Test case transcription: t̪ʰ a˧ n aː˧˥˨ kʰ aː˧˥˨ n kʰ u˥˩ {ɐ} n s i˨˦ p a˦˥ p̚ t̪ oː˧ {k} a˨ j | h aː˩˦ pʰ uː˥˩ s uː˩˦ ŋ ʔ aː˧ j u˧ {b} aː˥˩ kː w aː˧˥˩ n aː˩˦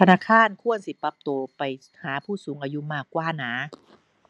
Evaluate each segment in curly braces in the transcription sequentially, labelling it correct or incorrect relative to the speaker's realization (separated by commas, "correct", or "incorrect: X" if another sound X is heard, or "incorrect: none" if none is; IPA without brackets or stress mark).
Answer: incorrect: ə, incorrect: p, incorrect: m